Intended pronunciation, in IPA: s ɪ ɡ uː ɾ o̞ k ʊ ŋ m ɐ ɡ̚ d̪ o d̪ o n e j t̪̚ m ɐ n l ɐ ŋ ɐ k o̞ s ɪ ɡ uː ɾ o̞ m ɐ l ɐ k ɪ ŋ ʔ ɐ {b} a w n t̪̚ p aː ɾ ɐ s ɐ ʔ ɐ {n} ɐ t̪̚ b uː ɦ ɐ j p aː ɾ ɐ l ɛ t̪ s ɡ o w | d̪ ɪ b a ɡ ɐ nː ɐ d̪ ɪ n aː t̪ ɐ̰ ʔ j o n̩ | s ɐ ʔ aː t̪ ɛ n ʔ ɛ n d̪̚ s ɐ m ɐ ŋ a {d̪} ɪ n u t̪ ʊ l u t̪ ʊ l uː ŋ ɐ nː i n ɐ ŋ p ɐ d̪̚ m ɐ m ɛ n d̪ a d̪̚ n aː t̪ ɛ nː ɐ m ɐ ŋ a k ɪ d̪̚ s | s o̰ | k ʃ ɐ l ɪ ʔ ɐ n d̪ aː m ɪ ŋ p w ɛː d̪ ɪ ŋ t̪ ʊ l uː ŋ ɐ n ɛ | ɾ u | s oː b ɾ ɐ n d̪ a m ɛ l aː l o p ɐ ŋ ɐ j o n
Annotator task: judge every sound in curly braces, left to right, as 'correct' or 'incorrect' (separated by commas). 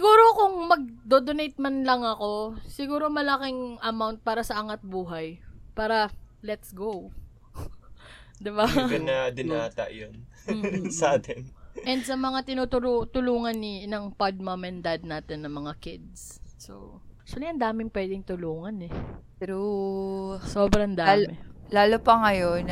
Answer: incorrect, incorrect, incorrect